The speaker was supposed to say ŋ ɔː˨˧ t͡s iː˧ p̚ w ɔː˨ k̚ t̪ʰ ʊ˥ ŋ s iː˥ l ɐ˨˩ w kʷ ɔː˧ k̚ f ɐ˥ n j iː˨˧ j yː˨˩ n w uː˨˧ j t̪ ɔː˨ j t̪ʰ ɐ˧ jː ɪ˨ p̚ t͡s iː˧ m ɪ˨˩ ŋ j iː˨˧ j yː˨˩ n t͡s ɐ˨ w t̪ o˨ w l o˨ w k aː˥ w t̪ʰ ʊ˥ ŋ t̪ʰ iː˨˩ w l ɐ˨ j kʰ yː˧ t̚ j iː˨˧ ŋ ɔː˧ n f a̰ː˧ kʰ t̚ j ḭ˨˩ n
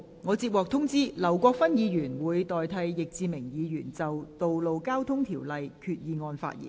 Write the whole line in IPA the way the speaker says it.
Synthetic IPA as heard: ŋ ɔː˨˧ t͡s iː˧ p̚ w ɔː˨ k̚ t̪ʰ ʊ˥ ŋ t͡s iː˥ l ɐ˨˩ w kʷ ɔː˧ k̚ f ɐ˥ n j iː˨˧ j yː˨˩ n w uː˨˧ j t̪ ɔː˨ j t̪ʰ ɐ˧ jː ɪ˨ k̚ t͡s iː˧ m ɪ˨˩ ŋ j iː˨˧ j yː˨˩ n t͡s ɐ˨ w t̪ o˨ w l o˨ w k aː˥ w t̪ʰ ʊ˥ ŋ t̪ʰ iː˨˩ w l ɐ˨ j kʰ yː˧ t̚ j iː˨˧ ŋ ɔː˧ n f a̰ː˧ t̚ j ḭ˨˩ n